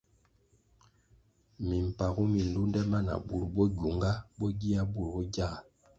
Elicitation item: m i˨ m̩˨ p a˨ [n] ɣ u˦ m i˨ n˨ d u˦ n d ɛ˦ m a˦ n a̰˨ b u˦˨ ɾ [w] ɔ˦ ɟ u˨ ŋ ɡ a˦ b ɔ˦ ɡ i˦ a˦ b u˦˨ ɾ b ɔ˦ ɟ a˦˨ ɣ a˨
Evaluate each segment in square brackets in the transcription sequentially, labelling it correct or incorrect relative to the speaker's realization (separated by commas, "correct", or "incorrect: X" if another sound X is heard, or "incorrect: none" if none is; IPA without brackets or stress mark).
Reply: incorrect: none, incorrect: b